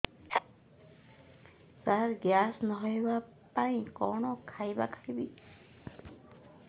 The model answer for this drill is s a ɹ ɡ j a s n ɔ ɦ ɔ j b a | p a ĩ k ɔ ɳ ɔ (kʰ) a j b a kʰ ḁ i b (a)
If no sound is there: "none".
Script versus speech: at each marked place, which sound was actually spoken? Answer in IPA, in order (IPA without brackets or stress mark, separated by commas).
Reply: kʰ, i